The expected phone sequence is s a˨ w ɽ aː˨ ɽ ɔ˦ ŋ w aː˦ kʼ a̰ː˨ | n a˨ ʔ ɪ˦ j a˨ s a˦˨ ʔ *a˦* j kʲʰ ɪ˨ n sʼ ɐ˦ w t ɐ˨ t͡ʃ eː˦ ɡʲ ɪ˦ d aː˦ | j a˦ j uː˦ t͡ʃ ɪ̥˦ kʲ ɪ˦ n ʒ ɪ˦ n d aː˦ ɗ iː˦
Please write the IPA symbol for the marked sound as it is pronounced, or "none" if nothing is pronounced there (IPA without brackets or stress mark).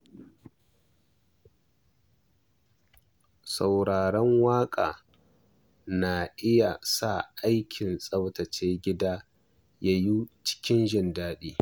a˦